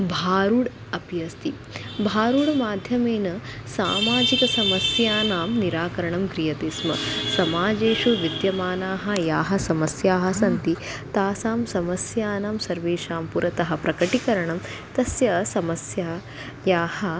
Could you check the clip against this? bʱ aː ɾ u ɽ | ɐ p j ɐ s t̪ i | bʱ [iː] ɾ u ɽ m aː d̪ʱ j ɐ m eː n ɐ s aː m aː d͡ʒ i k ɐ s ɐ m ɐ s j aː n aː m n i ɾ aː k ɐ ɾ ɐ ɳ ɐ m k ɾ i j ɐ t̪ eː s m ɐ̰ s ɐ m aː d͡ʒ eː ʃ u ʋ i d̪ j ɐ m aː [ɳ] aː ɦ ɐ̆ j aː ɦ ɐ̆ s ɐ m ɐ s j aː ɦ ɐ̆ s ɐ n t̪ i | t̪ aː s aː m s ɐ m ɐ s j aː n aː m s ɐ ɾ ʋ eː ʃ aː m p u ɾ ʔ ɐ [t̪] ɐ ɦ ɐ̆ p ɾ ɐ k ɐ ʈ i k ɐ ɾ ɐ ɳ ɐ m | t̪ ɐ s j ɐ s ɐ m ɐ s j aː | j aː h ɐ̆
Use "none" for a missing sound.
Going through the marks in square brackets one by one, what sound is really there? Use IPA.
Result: aː, n, t̪

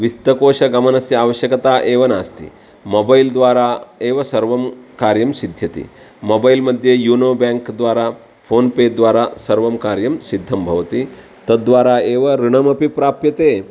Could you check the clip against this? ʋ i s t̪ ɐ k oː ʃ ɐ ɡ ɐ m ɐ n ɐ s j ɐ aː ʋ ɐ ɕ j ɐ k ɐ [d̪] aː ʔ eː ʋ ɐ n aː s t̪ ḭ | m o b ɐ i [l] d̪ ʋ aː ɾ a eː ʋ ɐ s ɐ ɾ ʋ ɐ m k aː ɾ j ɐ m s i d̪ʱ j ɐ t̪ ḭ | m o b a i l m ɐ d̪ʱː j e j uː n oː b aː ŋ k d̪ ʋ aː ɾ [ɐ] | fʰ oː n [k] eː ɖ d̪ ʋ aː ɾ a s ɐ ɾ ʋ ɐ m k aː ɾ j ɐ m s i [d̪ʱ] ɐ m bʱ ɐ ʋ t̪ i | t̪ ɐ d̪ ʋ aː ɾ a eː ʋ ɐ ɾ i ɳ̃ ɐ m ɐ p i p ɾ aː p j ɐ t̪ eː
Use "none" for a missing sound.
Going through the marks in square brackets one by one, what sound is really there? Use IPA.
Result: t̪, l, a, p, d̪ʱː

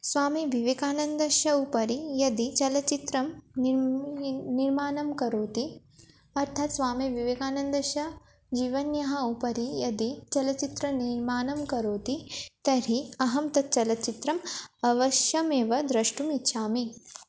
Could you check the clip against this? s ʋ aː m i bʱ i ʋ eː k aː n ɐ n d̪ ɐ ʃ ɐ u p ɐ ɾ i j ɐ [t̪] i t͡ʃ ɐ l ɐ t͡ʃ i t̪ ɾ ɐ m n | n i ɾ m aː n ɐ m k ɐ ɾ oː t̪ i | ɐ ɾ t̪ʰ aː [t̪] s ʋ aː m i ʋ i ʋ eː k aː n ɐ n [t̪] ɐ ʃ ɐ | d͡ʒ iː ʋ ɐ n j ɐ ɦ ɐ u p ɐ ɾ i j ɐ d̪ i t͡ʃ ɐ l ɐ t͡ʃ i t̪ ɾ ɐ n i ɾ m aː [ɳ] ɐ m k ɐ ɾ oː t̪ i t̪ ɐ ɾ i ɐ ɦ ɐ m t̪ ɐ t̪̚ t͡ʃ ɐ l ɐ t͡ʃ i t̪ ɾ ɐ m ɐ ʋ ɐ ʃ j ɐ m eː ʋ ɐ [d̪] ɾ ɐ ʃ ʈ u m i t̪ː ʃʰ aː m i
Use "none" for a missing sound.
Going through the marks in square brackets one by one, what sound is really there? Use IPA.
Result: d̪, t̪, d̪, n, d̪

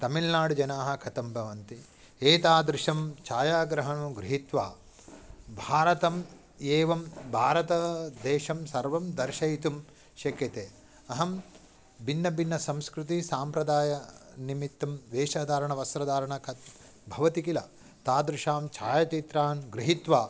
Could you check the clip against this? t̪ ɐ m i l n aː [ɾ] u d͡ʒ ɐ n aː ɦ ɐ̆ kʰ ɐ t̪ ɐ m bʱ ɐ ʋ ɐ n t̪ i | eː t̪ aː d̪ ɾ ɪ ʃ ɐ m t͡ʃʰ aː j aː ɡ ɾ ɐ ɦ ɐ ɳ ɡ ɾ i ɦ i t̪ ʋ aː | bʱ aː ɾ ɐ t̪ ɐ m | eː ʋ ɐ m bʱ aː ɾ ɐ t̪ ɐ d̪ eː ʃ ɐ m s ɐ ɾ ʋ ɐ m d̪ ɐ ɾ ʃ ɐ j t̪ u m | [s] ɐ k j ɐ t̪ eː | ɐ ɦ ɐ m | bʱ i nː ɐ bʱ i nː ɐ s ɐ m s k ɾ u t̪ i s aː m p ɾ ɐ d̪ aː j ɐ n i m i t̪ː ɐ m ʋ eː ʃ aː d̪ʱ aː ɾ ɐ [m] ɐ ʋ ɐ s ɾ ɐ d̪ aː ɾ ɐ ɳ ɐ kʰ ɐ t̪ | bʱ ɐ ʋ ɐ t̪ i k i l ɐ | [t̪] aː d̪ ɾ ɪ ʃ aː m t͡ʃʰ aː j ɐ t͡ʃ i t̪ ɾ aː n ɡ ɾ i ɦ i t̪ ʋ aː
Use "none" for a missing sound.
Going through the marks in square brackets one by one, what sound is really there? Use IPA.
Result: ɽ, ʃ, ɳ, t̪

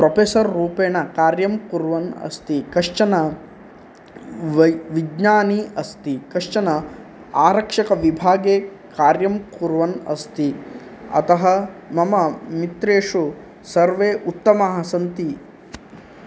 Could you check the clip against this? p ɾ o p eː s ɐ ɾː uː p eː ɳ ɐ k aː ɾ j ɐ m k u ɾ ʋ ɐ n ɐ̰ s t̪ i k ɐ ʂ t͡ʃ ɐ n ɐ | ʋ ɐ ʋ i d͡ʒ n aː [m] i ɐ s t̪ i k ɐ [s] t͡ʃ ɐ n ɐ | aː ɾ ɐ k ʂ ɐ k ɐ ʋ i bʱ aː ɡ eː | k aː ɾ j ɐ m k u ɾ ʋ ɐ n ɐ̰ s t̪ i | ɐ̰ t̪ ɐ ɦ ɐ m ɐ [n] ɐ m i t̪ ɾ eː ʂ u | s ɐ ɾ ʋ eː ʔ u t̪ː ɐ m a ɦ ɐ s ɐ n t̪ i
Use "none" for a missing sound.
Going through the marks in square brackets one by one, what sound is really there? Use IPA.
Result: n, ʂ, m

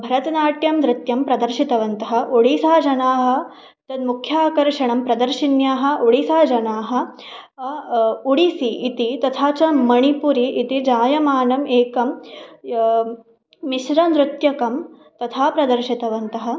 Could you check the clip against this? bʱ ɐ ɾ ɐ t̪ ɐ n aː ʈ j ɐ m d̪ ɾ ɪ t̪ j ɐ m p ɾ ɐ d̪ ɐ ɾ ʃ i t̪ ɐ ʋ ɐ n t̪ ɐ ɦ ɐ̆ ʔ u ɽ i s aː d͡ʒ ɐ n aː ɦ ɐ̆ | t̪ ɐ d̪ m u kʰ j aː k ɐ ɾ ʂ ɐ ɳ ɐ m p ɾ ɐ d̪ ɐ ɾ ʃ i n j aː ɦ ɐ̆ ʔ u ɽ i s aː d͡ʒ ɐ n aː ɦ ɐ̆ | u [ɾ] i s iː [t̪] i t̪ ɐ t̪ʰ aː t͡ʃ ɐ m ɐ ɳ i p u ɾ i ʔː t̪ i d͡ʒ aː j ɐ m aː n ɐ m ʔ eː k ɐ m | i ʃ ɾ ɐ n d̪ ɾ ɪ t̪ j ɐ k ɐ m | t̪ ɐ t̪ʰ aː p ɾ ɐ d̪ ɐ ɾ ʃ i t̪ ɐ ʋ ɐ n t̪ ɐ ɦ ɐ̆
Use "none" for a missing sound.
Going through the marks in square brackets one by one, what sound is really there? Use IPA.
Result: ɽ, t̪

